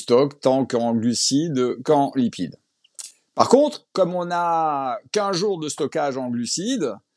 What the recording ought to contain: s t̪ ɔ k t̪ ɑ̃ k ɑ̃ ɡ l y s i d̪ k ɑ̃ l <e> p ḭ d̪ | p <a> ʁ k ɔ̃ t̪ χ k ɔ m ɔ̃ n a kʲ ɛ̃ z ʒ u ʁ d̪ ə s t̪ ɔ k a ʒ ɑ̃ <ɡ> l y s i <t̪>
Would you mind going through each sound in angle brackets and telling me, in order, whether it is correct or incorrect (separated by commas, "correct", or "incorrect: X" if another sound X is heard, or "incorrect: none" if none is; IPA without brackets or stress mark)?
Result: incorrect: i, correct, correct, incorrect: d̪